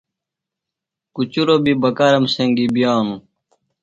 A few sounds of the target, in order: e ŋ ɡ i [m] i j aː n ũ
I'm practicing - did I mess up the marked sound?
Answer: yes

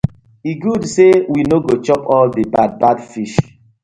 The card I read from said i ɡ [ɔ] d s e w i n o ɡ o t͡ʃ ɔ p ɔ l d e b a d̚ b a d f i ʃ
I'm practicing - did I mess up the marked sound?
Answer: yes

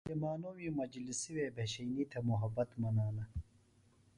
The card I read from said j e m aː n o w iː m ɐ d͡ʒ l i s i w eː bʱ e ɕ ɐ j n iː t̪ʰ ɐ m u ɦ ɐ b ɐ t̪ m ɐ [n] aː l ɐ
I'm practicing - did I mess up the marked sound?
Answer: no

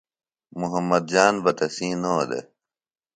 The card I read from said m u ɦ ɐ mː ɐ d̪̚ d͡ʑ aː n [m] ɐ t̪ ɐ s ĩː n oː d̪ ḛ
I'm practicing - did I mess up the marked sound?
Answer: yes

